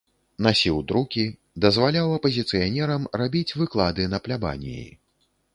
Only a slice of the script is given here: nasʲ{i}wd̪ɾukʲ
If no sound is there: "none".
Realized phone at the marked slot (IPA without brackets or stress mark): i